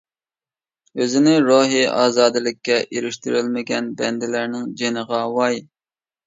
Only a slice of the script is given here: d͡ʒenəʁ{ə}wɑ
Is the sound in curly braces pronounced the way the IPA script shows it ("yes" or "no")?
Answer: no